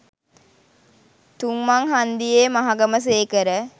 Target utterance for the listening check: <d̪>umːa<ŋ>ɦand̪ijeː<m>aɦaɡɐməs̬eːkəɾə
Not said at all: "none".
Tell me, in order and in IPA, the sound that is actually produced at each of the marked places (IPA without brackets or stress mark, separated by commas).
t̪, ŋ, m